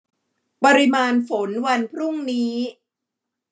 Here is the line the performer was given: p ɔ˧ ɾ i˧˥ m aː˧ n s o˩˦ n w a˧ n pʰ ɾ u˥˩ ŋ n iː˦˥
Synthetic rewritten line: p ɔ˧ ɾ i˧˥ m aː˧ n f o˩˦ n w a˧ n pʰ ɾ u˥˩ ŋ n iː˦˥